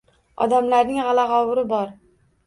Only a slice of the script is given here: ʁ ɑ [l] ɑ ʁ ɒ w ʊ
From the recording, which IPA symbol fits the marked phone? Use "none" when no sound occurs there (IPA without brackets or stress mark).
l